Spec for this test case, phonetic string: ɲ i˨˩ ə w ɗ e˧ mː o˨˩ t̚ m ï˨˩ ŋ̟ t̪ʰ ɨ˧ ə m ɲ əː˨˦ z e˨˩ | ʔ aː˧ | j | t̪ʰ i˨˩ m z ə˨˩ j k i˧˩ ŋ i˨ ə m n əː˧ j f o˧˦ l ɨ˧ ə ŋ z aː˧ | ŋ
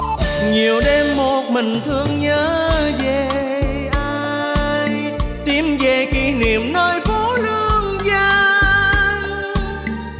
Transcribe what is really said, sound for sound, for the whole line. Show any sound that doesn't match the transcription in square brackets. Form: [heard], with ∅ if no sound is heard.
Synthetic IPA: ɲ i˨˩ ə w ɗ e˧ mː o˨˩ t̚ m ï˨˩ ŋ̟ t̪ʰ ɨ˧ ə [ŋ] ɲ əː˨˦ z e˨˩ | ʔ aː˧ | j | [t̪] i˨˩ m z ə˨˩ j k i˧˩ [n] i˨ ə m n əː˧ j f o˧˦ l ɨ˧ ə ŋ z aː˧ | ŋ